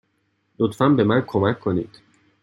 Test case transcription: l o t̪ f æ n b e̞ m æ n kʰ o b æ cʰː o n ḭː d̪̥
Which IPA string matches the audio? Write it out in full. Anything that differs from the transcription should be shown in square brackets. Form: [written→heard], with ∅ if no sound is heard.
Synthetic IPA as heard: l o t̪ f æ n b e̞ m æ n kʰ o [b→m] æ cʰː o n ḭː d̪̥